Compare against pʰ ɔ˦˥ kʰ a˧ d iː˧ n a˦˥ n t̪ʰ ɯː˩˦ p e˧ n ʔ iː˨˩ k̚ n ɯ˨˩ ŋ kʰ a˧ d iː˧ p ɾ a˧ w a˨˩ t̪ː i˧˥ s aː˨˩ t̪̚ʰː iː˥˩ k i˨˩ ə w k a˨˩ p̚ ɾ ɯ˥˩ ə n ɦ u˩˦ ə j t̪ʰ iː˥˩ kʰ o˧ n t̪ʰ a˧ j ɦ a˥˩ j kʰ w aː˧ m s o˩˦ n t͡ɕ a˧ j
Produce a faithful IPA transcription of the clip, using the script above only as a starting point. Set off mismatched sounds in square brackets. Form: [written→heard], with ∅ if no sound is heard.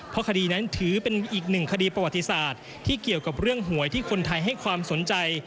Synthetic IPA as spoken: pʰ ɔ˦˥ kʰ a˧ d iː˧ n a˦˥ n t̪ʰ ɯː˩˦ p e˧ n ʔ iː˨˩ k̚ n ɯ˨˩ ŋ kʰ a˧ d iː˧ p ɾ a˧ w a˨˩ t̪ː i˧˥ s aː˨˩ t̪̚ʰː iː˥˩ k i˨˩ ə w k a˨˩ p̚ ɾ ɯ˥˩ ə [n→ŋ] ɦ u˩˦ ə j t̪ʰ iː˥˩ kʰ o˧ n t̪ʰ a˧ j ɦ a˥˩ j kʰ w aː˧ m s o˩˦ n t͡ɕ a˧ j